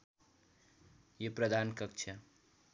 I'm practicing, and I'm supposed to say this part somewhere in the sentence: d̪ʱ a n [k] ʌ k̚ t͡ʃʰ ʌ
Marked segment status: correct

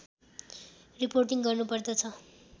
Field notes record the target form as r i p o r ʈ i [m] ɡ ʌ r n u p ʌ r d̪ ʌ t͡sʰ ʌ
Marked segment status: incorrect: ŋ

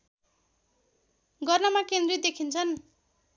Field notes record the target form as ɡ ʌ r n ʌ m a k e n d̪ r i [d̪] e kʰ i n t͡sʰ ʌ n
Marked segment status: correct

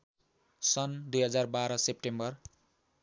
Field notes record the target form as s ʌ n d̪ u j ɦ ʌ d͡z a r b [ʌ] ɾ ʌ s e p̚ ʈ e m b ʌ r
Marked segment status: incorrect: a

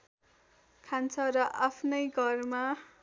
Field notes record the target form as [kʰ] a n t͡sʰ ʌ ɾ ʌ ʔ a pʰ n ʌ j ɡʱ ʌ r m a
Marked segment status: correct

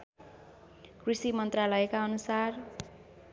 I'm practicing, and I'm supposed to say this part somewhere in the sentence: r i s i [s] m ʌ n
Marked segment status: incorrect: none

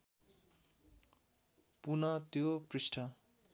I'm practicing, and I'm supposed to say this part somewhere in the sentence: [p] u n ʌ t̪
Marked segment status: correct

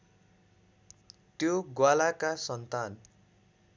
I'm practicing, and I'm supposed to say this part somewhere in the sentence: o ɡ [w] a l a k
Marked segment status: correct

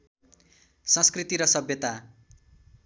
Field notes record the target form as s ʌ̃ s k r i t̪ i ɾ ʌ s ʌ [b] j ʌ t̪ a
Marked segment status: correct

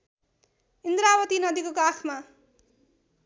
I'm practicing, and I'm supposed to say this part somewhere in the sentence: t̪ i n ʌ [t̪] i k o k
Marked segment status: incorrect: d̪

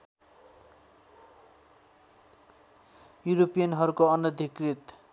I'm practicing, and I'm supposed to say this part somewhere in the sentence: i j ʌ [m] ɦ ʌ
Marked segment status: incorrect: n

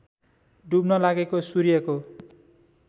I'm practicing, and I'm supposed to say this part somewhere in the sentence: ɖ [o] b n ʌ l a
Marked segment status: incorrect: u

